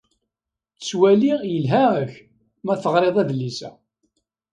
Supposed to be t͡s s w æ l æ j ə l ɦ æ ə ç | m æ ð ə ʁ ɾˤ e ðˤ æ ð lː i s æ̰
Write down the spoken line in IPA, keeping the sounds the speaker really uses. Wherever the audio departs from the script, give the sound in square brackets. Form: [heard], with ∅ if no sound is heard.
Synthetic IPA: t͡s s w æ l [i] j ə l ɦ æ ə ç | m æ [θ] ə ʁ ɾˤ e ðˤ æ ð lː i s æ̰